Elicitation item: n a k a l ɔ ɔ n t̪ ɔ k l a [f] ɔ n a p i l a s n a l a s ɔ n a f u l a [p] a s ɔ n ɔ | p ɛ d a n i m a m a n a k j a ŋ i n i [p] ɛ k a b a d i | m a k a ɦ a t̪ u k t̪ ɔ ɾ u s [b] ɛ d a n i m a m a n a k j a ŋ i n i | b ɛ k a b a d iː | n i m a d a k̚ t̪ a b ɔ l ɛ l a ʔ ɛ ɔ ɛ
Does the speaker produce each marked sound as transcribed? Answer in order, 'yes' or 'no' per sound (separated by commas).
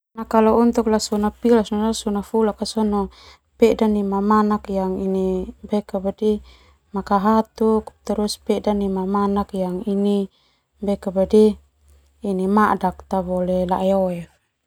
no, no, no, no